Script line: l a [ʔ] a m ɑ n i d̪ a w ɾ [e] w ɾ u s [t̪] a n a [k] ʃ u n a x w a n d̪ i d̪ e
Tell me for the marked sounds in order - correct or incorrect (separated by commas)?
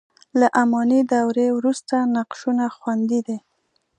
correct, correct, correct, incorrect